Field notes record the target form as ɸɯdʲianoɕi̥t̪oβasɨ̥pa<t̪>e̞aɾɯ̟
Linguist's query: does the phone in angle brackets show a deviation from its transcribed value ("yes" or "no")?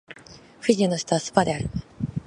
yes